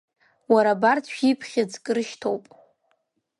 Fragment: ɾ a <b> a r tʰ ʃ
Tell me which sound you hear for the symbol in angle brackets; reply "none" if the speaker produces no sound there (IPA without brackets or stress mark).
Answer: b